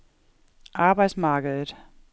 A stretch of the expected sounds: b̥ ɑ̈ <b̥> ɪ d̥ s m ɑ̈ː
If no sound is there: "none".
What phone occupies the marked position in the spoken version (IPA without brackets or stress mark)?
none